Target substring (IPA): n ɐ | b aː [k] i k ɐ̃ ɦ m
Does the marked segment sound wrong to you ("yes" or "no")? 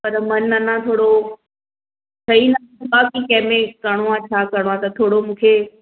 no